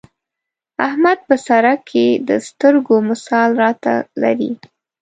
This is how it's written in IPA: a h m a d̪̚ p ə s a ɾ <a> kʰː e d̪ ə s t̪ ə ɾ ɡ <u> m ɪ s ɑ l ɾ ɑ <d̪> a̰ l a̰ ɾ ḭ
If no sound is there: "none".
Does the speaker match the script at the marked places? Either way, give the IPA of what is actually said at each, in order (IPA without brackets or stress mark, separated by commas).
a, o, t̪